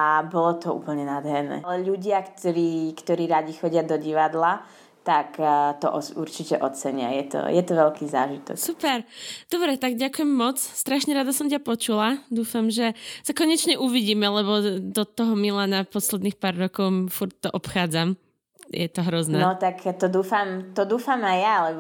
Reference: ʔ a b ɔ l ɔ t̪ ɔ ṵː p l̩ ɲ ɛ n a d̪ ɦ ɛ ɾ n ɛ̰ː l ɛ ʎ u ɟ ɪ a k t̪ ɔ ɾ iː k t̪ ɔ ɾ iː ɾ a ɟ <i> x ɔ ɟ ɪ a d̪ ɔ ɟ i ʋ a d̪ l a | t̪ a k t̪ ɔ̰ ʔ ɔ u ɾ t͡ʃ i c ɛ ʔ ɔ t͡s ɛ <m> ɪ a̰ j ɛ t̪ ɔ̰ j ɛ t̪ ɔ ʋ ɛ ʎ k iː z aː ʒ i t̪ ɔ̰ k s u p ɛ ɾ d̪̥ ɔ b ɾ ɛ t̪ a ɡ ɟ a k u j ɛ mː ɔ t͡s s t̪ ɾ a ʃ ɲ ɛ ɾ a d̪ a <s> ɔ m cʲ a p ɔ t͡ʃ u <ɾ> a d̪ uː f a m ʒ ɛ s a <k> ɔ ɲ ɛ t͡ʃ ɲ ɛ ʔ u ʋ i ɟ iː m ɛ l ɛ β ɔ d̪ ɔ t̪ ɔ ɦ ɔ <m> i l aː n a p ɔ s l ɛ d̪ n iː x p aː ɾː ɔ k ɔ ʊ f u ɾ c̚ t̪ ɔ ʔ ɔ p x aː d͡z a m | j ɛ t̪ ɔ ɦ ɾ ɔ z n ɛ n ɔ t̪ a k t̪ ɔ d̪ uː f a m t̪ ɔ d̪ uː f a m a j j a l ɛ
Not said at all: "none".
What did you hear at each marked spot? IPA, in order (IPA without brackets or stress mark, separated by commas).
i, ɲ, s, l, k, m